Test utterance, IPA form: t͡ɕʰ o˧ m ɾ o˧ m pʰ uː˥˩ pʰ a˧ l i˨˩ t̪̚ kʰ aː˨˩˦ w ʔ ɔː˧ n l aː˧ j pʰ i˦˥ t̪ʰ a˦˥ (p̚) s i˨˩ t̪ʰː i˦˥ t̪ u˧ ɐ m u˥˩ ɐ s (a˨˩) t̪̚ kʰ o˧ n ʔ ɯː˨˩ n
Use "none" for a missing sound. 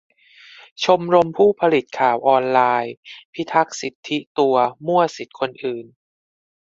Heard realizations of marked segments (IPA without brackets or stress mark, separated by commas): k̚, i˨˩